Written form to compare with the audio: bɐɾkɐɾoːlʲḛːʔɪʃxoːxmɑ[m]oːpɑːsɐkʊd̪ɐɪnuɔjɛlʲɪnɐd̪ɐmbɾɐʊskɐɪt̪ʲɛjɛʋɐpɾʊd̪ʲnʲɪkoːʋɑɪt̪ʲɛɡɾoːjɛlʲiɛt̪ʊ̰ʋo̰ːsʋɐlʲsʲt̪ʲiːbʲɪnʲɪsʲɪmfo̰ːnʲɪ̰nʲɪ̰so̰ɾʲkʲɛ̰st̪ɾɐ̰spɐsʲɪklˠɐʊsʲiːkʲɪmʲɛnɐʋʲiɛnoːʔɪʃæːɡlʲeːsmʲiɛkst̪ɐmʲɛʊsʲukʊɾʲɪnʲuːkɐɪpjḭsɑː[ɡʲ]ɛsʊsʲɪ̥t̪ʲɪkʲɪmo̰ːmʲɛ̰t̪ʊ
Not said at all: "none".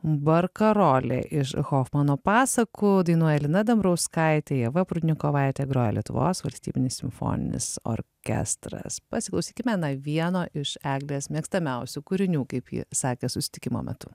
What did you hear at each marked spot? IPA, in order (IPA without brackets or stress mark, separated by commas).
n, kʲ